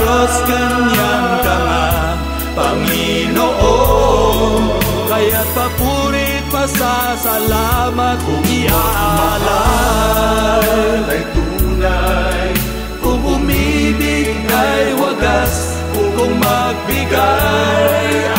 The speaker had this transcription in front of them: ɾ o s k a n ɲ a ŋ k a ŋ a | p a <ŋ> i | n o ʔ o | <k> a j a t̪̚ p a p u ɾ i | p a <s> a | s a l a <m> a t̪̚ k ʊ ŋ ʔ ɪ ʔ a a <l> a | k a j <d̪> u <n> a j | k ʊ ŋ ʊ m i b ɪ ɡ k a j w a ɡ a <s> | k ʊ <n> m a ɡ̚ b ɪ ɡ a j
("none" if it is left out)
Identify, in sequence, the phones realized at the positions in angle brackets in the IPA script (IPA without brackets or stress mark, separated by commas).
ŋ, k, s, m, l, t̪, n, s, ŋ